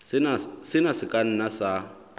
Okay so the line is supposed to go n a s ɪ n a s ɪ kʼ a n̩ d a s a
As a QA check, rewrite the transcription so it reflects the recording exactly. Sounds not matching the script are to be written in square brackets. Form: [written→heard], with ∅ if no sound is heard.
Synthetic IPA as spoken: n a s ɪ n a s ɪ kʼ a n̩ [d→n] a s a